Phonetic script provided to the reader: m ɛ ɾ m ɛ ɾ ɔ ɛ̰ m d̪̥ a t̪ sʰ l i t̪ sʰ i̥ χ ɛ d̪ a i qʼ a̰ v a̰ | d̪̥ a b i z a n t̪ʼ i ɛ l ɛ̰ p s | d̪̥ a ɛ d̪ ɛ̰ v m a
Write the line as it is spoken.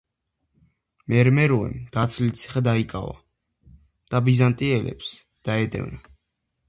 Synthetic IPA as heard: m ɛ ɾ m ɛ ɾ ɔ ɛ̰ m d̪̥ a t̪ sʰ l i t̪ sʰ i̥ χ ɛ d̪ a i kʼ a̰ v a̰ | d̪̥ a b i z a n t̪ʼ i ɛ l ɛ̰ p s | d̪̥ a ɛ d̪ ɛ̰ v n a